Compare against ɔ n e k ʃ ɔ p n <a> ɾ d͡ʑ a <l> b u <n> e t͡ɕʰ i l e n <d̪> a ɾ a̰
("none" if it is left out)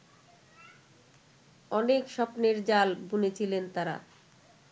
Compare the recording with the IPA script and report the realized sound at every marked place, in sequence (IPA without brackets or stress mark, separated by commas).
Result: e, l, n, t̪